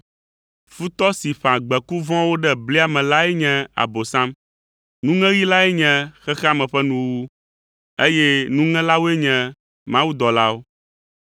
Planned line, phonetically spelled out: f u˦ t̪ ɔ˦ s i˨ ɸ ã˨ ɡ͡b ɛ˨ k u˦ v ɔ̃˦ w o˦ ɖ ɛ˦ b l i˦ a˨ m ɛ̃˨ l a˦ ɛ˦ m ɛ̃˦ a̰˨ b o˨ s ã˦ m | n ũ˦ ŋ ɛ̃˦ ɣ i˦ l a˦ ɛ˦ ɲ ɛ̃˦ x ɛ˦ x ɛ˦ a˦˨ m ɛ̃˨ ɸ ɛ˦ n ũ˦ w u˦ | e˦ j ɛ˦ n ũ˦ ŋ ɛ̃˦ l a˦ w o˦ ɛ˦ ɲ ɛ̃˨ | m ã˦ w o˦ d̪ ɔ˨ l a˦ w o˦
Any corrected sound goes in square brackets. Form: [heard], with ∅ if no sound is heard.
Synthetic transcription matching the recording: f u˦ t̪ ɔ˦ s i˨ ɸ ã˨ ɡ͡b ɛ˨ k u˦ v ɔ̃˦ w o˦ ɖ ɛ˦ b l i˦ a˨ m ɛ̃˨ l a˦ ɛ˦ [ɲ] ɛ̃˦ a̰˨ b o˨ s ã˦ m | n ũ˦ ŋ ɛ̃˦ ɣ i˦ l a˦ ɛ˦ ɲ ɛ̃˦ x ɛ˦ x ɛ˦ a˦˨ m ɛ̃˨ ɸ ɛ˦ n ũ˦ w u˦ | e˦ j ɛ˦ n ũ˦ ŋ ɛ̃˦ l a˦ w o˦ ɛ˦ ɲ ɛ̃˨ | m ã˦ w [u˦] d̪ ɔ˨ l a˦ w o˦